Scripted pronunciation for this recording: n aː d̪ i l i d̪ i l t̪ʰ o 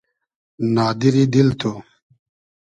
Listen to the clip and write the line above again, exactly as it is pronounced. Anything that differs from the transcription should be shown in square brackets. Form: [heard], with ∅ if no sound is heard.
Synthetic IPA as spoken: n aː d̪ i [ɾ] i d̪ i l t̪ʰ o